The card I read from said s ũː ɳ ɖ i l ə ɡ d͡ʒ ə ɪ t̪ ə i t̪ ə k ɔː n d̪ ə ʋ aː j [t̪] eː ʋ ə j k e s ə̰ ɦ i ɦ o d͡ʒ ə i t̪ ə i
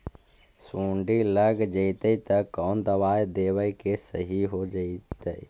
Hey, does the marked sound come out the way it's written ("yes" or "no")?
no